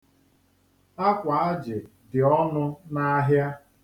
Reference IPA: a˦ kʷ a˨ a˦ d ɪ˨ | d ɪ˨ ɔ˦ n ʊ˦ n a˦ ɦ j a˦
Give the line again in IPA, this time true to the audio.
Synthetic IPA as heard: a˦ kʷ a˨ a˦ d͡ʒ ɪ˨ | d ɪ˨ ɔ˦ n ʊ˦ n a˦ ɦ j a˦